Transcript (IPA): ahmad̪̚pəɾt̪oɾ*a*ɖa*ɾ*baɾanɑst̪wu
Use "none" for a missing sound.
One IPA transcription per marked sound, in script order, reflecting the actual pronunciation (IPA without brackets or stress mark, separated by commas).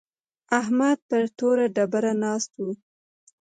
a, none